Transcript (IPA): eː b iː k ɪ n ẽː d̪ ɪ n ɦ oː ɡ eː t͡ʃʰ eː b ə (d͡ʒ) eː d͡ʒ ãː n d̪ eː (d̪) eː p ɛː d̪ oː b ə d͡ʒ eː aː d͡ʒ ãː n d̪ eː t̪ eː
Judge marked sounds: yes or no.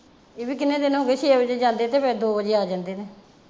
yes, no

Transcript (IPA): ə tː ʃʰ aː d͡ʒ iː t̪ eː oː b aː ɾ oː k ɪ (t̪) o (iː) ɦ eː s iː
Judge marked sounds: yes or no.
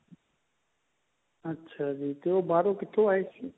no, no

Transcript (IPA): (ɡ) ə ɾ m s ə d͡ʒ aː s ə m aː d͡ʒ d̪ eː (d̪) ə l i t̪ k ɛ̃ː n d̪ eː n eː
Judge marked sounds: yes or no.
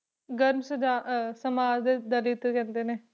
yes, yes

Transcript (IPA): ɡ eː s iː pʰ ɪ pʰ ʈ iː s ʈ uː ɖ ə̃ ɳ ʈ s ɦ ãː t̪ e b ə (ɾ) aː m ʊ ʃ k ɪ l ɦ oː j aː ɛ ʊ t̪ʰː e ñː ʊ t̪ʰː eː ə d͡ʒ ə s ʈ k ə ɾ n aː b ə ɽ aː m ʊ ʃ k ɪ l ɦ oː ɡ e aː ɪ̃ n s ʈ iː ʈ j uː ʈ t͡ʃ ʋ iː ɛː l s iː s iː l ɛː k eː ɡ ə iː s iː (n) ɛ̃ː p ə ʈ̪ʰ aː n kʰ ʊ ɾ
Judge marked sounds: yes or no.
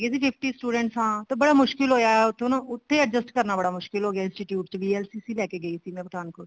no, no

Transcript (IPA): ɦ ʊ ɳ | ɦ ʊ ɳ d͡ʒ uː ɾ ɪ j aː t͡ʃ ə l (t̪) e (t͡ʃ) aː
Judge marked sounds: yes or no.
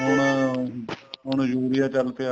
yes, no

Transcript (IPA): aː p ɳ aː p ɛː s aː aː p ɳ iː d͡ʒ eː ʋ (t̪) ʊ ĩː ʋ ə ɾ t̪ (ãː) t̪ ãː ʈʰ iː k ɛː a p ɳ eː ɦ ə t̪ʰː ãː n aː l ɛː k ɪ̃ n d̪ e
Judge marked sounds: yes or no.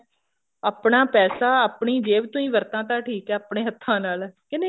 yes, yes

